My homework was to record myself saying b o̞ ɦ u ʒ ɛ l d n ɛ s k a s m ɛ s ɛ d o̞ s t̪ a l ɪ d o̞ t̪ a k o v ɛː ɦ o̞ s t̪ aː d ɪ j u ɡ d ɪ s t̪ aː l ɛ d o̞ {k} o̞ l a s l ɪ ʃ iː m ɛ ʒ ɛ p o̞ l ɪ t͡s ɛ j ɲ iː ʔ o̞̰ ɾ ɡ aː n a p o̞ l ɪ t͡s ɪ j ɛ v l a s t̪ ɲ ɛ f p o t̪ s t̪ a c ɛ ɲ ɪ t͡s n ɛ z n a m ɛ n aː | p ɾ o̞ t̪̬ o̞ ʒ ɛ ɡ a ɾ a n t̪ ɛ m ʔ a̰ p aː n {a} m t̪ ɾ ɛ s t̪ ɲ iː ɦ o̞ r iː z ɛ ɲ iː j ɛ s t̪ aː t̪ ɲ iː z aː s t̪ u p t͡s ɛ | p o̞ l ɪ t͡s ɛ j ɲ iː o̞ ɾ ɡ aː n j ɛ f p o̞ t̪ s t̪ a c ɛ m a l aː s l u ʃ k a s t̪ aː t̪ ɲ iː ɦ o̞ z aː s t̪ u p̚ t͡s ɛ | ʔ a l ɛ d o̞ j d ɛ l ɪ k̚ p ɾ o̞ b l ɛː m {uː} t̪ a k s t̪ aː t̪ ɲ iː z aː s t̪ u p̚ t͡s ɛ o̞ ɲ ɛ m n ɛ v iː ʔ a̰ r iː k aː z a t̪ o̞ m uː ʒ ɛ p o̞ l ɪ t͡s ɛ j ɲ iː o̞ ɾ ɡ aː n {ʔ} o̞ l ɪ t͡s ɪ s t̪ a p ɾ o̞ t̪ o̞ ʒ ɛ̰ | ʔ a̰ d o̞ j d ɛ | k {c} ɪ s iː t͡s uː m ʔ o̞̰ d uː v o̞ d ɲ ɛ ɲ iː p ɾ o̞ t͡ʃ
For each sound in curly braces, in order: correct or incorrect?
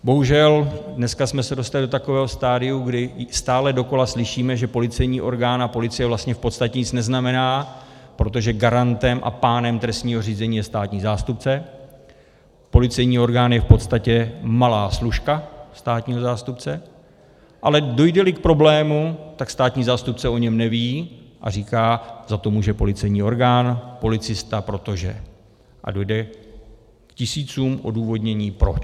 correct, incorrect: ɛ, incorrect: u, incorrect: p, correct

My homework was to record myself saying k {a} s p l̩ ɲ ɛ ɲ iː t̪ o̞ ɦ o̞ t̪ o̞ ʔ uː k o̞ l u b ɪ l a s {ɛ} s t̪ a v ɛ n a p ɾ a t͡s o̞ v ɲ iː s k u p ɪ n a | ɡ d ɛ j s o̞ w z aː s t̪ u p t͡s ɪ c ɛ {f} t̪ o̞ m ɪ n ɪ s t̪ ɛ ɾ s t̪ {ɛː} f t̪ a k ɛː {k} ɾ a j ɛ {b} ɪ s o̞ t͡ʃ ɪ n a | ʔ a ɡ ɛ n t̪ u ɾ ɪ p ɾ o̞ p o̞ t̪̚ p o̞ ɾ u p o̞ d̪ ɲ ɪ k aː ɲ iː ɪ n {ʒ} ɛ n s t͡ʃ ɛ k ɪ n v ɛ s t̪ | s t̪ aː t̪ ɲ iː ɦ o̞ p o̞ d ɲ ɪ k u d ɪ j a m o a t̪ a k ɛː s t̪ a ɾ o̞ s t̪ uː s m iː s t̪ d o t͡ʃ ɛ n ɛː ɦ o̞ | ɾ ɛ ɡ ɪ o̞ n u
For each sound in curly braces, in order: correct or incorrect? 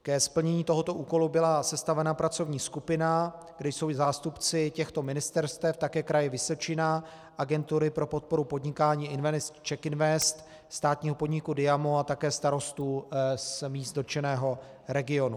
incorrect: ɛ, correct, incorrect: x, incorrect: ɛ, correct, incorrect: v, incorrect: v

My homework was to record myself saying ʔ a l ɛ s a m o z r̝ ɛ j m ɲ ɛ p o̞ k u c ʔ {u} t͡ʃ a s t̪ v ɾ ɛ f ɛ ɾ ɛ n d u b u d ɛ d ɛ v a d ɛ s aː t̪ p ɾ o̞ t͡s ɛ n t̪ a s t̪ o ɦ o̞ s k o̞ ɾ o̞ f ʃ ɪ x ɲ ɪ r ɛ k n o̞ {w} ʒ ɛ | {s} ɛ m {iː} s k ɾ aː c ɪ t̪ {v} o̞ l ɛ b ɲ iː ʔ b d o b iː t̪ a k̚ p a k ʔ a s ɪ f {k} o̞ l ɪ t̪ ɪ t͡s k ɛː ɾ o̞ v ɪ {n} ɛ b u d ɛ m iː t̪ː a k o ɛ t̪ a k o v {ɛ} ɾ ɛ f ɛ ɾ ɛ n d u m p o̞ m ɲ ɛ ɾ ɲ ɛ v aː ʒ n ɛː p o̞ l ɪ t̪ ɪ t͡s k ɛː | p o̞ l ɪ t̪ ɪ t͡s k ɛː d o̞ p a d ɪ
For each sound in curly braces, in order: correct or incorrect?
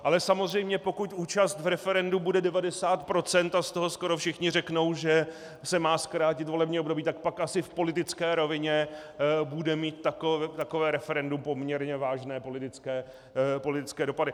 incorrect: uː, correct, correct, incorrect: aː, correct, incorrect: p, incorrect: ɲ, incorrect: ɛː

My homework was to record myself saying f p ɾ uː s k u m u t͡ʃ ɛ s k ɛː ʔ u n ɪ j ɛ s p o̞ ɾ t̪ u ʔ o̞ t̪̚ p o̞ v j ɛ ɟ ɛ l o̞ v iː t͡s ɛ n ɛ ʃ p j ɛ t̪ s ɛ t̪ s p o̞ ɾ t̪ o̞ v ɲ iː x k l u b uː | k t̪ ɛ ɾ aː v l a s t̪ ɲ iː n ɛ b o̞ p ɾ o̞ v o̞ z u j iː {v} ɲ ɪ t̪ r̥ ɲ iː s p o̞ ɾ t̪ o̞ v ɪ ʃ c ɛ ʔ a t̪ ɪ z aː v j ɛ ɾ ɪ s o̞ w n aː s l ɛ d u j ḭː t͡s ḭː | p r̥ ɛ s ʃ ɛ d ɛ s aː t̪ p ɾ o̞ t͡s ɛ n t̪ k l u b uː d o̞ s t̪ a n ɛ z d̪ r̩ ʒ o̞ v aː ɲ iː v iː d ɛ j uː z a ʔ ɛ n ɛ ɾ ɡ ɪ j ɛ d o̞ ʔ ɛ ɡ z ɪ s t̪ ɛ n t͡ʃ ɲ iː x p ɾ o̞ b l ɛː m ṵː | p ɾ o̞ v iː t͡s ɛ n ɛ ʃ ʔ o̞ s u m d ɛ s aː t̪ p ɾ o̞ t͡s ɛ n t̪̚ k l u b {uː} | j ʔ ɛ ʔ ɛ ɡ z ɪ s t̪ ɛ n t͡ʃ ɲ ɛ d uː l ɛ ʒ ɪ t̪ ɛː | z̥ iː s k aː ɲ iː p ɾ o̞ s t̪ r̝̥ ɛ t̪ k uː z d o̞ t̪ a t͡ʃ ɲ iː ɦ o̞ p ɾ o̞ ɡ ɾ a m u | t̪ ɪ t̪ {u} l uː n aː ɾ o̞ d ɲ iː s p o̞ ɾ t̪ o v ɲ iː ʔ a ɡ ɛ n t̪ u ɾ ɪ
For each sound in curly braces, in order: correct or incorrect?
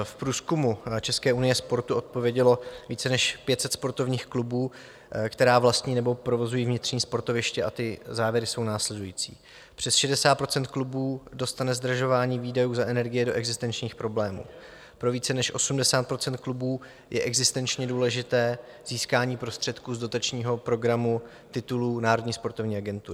correct, correct, correct

